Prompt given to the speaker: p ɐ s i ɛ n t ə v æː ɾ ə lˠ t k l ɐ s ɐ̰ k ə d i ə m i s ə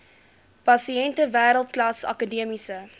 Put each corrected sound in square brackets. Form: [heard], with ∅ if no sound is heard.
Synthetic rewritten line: p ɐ s i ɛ n t ə v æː ɾ ə lˠ t k l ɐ s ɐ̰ k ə d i ə m i s ə